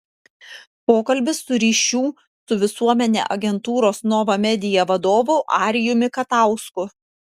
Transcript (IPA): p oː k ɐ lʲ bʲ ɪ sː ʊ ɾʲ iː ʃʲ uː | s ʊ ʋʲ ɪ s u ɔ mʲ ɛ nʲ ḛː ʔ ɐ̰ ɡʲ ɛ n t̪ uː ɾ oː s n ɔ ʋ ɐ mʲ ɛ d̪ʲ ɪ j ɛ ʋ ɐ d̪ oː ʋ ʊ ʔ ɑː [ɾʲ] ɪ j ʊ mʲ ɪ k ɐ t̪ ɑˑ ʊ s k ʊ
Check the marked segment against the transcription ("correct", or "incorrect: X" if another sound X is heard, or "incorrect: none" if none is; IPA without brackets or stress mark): correct